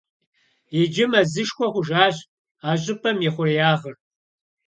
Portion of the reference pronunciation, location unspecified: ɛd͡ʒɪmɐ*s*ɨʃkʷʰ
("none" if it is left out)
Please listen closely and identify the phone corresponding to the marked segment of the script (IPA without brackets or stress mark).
z